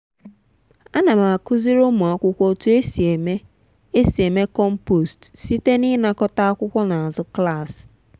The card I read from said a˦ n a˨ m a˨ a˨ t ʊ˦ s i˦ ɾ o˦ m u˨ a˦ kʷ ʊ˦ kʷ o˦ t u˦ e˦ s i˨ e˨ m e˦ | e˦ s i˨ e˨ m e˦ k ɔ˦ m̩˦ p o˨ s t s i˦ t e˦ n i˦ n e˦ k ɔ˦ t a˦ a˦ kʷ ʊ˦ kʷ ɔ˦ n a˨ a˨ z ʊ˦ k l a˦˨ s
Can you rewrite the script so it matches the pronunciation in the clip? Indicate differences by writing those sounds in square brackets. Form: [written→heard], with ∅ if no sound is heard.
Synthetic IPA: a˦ n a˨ m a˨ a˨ [t→k] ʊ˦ [s→z] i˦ ɾ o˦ m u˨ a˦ kʷ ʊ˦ kʷ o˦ t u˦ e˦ s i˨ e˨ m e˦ | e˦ s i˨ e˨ m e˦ k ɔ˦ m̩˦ p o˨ s t s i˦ t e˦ n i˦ n [e˦→a˦] k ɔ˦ t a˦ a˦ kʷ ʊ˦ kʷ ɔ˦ n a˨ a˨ z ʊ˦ k l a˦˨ s